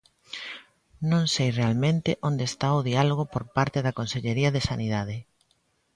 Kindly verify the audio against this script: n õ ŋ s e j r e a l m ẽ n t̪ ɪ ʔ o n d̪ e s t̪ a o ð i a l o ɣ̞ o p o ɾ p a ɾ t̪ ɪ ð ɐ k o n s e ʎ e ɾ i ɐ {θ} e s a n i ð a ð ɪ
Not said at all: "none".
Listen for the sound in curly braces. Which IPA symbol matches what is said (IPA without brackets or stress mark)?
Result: ð